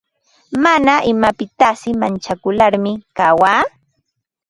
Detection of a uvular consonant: absent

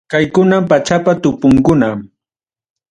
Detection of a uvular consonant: absent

